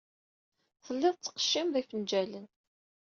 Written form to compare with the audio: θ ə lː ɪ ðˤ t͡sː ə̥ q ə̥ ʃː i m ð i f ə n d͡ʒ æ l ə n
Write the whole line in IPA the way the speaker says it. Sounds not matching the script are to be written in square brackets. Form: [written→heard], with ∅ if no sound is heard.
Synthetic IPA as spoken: θ ə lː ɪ ðˤ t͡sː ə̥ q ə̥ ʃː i m ð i f ə n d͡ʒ æ l ə n

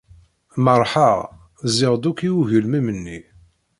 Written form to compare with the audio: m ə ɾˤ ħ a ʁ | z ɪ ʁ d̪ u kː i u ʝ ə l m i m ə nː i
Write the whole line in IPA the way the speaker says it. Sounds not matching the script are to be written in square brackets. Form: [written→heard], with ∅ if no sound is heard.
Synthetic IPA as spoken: m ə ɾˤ ħ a ʁ | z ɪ ʁ d̪ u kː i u ʝ ə l m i m ə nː i

